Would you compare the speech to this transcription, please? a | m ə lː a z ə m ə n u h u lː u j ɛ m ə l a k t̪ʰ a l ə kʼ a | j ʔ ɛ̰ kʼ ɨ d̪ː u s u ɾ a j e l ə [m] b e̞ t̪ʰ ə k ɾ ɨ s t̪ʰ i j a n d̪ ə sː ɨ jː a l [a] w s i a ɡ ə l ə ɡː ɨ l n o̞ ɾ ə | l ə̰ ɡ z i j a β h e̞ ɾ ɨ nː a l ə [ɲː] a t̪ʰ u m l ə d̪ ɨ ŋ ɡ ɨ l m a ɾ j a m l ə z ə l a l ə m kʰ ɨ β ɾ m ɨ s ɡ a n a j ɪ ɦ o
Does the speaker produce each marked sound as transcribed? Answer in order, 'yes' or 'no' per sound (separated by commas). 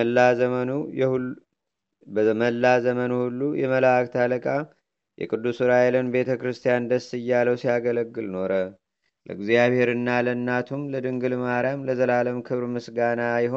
no, no, no